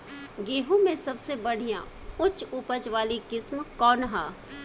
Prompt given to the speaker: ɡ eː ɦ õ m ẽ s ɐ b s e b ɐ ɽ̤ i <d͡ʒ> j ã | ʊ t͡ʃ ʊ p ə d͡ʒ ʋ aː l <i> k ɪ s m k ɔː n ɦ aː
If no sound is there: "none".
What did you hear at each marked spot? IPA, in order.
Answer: none, i

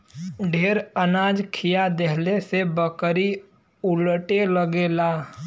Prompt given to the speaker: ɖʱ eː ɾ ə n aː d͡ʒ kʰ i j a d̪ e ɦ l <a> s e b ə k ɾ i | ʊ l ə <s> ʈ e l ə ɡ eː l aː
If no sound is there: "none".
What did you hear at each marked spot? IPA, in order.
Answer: e, none

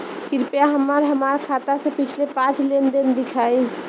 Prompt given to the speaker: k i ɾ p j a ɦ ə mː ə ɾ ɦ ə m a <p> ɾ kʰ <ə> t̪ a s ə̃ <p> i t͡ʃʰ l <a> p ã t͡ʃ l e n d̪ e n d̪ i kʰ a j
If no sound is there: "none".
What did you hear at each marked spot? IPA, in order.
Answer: none, a, p, e

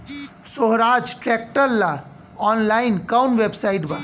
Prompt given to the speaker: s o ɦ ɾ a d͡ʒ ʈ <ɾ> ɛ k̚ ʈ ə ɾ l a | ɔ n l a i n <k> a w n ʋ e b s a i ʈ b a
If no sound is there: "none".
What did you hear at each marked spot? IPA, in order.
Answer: ɾ, k

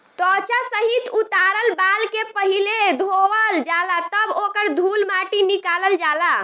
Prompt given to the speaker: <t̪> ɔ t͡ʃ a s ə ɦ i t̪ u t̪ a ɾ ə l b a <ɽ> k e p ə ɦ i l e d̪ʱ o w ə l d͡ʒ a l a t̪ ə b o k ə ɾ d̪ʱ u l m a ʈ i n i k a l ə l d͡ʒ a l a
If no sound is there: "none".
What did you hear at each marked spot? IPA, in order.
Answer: t̪, l

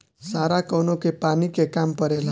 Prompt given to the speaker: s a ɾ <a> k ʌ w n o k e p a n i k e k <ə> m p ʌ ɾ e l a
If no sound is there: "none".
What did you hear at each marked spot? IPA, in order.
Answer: a, a

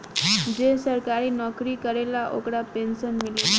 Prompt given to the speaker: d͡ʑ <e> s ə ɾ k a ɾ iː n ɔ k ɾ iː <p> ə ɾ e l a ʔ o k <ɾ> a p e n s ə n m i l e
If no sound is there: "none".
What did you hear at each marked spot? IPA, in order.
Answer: e, k, ɽ

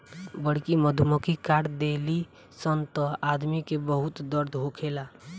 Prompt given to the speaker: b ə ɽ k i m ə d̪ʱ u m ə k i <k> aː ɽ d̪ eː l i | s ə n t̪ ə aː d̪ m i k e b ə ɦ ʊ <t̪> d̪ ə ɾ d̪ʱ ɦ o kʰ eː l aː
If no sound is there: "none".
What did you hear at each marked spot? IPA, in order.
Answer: k, t̪

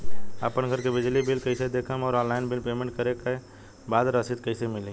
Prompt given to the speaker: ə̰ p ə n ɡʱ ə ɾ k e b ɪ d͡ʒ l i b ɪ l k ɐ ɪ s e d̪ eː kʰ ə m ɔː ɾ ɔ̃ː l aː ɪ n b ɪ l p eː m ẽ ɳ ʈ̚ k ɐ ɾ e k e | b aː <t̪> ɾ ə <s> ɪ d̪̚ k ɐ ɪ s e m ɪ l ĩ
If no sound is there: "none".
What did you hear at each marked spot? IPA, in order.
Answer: d̪, s

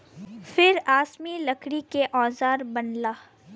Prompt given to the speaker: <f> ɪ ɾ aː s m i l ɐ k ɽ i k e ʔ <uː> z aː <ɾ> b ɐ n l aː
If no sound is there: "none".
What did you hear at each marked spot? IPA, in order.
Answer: f, ɔː, ɾ

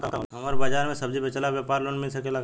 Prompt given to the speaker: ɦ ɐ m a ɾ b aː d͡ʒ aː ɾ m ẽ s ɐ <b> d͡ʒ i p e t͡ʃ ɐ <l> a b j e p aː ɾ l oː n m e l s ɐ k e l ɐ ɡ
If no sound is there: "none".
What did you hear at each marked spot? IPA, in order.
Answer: b, l

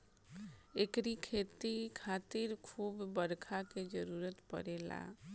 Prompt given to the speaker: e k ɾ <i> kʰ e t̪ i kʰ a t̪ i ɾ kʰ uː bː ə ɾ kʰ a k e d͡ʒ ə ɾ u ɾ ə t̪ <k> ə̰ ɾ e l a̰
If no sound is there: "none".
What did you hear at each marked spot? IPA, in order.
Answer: i, p

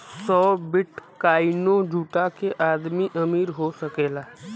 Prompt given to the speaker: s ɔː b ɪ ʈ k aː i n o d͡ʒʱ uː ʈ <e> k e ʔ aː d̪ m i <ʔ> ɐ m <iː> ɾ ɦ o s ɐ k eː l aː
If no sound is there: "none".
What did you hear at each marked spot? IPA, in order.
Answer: a, ʔ, iː

